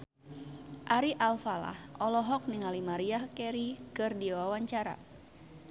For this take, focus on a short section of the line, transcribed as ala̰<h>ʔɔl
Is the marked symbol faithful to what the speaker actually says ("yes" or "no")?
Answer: yes